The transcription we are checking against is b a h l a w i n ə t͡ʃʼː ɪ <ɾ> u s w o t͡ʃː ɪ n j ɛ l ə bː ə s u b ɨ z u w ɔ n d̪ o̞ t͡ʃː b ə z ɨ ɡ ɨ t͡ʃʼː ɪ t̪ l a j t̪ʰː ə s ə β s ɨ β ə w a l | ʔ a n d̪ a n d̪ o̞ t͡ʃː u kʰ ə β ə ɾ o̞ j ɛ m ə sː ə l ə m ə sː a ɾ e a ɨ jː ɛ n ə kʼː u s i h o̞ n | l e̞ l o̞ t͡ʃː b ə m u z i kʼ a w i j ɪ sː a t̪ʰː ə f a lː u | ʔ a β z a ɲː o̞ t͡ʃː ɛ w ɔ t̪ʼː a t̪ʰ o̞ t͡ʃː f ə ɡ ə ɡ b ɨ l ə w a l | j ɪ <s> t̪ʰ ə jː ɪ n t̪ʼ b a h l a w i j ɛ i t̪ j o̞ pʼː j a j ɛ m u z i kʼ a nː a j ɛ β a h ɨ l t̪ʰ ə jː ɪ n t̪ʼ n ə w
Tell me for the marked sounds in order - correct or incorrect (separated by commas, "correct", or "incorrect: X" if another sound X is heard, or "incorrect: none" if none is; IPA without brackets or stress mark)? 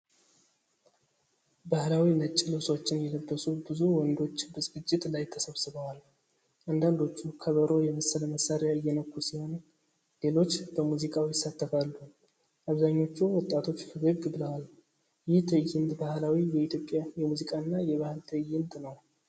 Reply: incorrect: l, incorrect: h